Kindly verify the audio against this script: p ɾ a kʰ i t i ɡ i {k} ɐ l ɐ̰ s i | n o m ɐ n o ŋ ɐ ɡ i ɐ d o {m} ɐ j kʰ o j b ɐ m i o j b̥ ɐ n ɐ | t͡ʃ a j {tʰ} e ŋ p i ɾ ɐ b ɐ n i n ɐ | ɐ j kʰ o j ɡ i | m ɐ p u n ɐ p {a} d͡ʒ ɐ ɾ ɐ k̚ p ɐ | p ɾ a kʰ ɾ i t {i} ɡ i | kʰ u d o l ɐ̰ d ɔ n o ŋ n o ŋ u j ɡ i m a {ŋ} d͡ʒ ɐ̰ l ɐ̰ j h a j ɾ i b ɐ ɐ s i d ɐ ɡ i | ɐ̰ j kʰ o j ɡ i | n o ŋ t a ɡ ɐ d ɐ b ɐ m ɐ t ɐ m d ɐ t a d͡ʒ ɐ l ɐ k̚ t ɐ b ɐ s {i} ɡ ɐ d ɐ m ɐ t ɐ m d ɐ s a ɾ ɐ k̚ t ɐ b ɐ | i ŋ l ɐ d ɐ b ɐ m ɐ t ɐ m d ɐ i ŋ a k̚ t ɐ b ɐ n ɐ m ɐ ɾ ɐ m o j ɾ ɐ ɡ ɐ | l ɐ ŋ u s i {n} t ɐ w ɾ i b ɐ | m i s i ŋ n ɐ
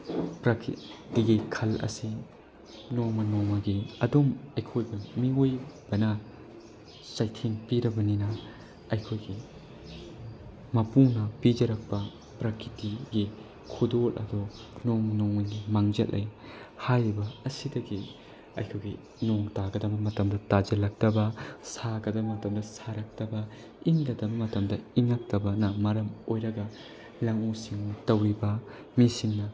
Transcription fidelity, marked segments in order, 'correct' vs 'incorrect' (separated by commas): incorrect, correct, correct, incorrect, correct, correct, incorrect, incorrect